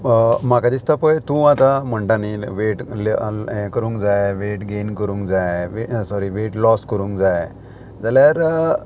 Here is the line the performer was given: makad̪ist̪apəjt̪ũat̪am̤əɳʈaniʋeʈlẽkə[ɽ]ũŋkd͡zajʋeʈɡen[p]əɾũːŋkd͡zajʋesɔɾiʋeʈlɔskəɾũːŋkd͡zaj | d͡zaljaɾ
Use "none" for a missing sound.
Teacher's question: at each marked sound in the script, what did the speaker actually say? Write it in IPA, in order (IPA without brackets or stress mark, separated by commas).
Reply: ɾ, k